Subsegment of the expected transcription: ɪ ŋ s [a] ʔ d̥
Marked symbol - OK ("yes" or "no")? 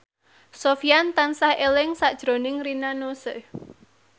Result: yes